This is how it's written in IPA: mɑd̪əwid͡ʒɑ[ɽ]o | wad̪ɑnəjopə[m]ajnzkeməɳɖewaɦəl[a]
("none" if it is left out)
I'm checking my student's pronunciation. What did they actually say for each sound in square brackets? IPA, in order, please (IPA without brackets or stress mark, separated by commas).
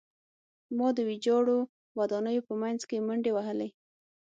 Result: ɽ, m, e